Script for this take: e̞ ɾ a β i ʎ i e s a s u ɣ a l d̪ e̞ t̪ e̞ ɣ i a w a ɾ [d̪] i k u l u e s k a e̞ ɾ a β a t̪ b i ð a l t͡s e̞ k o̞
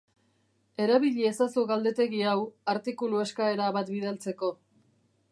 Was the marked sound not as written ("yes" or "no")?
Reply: yes